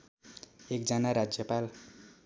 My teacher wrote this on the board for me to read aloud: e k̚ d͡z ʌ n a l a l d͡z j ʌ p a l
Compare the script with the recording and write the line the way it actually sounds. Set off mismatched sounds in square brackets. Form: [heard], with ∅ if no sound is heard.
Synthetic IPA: e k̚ d͡z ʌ n a [ɾ] a [∅] d͡z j ʌ p a l